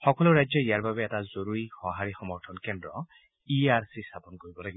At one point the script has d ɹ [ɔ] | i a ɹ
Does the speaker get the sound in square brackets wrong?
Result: no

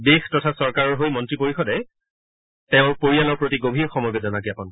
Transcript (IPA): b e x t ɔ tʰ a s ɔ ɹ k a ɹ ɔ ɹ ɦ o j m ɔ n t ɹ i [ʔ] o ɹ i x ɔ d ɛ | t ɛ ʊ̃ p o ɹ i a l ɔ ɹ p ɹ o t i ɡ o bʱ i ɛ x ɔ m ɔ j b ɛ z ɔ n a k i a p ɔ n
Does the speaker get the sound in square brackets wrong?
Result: yes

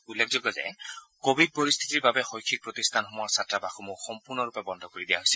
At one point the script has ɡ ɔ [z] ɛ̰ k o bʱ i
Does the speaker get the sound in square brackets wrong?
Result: no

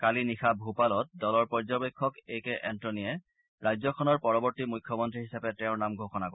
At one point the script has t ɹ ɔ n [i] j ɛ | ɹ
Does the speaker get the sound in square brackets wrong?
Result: no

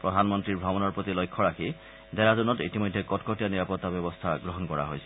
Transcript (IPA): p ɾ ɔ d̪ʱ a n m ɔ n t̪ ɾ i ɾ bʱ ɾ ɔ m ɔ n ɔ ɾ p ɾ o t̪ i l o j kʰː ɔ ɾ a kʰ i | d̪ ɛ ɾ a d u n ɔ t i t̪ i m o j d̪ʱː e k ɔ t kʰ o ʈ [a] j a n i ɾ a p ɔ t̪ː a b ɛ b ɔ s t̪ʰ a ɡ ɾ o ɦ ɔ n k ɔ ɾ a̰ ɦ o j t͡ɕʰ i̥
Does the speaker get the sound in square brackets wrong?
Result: yes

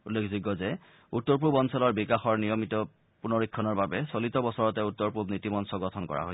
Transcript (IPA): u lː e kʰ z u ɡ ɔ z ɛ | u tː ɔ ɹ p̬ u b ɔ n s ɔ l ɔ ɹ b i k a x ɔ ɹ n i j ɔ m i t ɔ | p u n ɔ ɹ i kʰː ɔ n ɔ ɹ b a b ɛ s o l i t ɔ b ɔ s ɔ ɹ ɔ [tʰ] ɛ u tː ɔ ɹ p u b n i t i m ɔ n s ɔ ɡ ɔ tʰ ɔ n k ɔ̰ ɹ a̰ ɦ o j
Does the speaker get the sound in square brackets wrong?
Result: yes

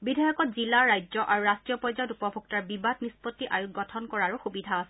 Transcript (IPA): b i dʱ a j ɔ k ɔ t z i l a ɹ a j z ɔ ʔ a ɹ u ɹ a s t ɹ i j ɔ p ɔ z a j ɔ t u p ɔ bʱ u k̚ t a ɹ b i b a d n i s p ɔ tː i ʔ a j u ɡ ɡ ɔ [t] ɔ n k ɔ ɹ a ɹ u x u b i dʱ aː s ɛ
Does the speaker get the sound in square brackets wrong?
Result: yes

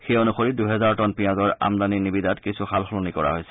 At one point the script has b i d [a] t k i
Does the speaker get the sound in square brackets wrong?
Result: no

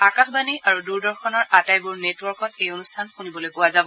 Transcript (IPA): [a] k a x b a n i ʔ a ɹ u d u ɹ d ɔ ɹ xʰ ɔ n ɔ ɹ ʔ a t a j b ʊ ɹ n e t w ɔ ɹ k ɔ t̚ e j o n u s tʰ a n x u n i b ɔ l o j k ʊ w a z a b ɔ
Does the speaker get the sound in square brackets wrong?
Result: no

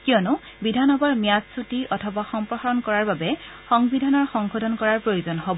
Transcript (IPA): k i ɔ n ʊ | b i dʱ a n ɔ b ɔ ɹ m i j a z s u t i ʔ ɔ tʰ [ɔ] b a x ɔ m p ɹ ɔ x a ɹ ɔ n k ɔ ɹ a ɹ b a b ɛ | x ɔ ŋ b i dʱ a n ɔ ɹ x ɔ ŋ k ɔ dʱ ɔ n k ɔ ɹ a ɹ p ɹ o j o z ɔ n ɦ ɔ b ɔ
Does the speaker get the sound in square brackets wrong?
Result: no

